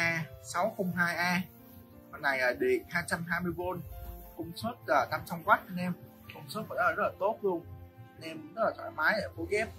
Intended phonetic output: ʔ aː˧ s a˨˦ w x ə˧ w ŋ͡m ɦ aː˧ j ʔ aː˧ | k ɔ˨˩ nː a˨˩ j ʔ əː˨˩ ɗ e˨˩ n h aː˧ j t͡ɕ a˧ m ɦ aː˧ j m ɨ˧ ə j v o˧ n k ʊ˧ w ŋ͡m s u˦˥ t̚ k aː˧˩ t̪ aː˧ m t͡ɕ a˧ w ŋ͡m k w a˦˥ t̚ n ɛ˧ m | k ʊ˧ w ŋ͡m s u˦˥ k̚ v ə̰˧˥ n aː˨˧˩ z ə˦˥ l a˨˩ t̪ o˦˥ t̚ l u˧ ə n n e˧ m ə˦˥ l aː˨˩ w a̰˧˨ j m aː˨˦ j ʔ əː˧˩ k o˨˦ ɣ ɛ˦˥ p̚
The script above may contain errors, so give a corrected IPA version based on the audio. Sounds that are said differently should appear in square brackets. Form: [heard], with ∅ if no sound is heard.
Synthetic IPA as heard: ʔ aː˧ s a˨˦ w x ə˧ w ŋ͡m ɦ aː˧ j ʔ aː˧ | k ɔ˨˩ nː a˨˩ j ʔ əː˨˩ ɗ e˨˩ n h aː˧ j t͡ɕ a˧ m ɦ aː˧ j m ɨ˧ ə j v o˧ n k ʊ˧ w ŋ͡m s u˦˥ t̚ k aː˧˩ t̪ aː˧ m t͡ɕ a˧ w ŋ͡m k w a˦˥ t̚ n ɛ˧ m | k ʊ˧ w ŋ͡m s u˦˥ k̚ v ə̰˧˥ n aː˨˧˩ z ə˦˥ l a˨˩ t̪ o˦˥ t̚ l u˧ ə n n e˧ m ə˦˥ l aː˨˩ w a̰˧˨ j m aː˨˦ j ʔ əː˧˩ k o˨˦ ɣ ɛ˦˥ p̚

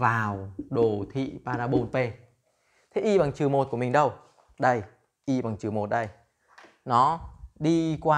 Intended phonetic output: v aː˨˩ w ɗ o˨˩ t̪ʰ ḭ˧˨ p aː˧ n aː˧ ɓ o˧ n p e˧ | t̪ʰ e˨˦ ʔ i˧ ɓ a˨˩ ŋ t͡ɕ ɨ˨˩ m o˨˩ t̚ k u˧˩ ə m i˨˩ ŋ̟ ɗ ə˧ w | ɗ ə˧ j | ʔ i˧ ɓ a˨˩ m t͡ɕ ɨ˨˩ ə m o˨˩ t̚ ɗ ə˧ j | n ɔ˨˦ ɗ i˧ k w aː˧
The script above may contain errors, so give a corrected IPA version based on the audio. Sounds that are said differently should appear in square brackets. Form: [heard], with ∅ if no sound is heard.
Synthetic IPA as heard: v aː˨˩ w ɗ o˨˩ t̪ʰ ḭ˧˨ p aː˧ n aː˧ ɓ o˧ n p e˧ | t̪ʰ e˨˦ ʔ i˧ ɓ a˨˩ ŋ t͡ɕ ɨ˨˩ m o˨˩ t̚ k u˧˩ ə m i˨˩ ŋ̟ ɗ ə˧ w | ɗ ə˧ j | ʔ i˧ ɓ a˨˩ [ŋ] t͡ɕ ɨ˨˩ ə m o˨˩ t̚ ɗ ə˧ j | n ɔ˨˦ ɗ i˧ k w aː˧

